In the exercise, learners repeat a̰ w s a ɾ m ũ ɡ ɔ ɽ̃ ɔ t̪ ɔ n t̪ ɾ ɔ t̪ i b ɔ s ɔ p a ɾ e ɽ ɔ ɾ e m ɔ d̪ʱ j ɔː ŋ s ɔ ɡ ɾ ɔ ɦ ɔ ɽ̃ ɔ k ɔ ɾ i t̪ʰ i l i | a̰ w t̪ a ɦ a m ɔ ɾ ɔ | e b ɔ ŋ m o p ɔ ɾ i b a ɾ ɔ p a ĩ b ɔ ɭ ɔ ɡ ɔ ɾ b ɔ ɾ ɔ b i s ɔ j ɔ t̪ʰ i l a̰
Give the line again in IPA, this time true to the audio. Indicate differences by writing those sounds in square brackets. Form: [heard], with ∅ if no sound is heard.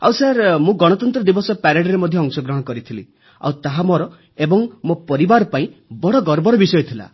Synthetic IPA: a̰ w s a ɾ m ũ ɡ ɔ ɽ̃ ɔ t̪ ɔ n t̪ ɾ ɔ [d̪] i b ɔ s ɔ p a ɾ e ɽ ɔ ɾ e m ɔ d̪ʱ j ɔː ŋ s ɔ ɡ ɾ ɔ ɦ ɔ ɽ̃ ɔ k ɔ ɾ i t̪ʰ i l i | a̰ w t̪ a ɦ a m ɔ ɾ ɔ | e b ɔ ŋ m o p ɔ ɾ i b a ɾ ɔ p a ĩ b ɔ [ɽ] ɔ ɡ ɔ ɾ b ɔ ɾ ɔ b i s ɔ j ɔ t̪ʰ i l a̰